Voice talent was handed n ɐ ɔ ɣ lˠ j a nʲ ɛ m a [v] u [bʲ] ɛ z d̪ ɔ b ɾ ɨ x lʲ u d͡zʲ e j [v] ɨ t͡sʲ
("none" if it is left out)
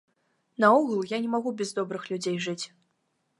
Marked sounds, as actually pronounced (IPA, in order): ɣ, bʲ, ʐ

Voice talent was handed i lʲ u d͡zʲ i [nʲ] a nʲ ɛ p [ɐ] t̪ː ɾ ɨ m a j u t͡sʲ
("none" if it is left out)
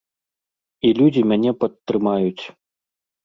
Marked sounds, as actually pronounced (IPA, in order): mʲ, ɐ

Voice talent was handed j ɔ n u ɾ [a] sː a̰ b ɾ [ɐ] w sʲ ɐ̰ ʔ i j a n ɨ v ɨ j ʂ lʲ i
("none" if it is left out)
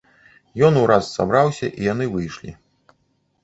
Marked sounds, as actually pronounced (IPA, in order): a, a

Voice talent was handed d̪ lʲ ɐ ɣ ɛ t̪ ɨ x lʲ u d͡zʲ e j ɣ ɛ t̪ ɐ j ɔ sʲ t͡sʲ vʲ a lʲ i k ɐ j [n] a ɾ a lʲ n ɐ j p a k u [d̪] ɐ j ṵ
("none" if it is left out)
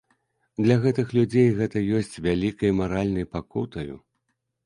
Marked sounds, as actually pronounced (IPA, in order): m, t̪

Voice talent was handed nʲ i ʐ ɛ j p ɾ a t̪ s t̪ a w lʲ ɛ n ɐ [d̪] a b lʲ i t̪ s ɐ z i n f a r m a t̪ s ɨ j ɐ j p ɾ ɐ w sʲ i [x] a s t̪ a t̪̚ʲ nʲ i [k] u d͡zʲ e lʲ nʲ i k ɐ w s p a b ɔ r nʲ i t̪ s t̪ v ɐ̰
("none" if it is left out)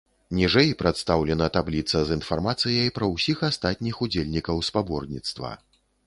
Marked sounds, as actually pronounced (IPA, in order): t̪, x, x

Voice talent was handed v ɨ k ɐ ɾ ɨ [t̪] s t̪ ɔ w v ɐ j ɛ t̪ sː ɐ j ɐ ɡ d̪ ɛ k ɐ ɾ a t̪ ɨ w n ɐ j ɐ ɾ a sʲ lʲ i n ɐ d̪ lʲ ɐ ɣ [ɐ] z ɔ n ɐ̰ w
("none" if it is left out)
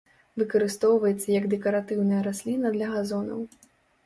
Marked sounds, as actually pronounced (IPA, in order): none, a

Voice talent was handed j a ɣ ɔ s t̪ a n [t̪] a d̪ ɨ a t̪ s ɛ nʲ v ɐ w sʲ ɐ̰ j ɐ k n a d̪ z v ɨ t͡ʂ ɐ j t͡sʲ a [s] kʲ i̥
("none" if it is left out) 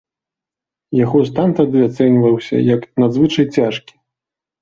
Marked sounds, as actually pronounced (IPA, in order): t̪, ʂ

